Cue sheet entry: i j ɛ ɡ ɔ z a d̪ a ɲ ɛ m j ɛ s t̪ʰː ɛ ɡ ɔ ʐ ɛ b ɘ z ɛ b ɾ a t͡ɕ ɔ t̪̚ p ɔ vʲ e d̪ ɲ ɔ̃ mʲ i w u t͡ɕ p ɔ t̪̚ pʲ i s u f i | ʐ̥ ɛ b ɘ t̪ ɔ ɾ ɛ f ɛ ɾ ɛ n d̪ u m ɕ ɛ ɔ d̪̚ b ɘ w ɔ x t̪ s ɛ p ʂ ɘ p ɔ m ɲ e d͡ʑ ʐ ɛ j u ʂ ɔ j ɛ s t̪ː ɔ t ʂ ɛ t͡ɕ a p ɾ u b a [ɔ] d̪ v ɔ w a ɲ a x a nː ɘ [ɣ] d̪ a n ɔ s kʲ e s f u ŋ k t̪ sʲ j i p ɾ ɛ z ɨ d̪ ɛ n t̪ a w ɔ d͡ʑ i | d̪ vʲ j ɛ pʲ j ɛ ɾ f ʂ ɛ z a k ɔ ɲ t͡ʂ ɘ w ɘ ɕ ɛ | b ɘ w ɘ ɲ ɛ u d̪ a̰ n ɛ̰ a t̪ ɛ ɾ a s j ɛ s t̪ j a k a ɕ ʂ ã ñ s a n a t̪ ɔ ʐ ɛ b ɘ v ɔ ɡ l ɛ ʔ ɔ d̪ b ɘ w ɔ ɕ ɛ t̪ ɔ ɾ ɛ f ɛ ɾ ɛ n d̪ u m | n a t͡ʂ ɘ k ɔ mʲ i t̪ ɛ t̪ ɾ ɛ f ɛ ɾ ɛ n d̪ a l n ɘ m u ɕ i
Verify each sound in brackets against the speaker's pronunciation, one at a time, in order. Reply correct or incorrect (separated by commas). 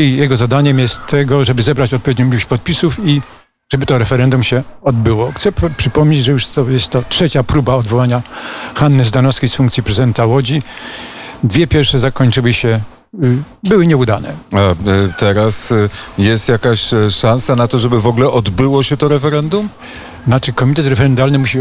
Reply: correct, incorrect